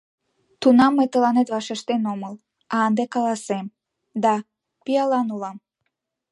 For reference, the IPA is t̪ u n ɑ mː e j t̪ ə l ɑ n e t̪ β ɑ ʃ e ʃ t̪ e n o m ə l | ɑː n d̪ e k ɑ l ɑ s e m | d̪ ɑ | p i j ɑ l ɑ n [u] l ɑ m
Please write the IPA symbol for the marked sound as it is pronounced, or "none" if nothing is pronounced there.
u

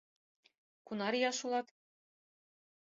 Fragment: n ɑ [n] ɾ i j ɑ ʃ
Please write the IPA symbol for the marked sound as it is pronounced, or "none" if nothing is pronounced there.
none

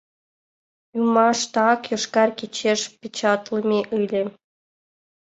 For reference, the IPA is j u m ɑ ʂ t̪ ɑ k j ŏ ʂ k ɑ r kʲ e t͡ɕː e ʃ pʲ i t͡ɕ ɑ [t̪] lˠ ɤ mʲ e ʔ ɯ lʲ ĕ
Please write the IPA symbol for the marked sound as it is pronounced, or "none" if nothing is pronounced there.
t̪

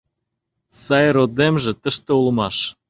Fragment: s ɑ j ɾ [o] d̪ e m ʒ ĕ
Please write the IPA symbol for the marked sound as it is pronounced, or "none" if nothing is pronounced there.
o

